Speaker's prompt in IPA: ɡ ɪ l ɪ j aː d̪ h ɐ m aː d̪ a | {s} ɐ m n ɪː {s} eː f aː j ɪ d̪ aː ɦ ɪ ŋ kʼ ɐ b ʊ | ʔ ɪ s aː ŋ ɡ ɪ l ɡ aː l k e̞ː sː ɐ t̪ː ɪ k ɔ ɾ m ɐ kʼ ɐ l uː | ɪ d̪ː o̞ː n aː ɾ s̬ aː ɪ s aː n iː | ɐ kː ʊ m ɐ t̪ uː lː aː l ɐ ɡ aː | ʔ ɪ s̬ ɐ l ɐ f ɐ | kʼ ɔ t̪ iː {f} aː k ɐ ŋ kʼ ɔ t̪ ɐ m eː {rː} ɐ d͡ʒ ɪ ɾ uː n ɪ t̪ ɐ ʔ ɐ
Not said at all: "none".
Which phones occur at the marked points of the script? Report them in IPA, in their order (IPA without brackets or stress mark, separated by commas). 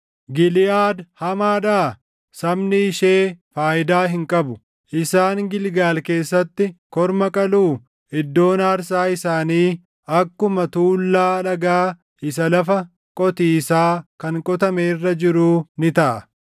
s, ʃ, s, rː